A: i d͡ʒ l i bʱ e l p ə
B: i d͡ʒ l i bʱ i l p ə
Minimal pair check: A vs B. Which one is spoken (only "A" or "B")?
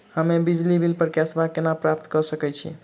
B